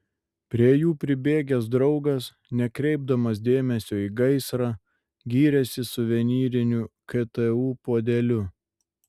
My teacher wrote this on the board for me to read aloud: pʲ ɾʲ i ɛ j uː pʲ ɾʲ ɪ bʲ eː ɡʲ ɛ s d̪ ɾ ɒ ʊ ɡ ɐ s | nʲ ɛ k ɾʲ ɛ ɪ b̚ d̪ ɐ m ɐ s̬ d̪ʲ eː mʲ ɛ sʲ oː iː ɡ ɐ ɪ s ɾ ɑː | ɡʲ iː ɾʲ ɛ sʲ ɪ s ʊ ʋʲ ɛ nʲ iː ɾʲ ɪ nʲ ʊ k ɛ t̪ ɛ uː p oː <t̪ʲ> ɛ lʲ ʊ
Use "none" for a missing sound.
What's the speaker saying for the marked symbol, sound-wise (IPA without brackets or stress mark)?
d̪ʲ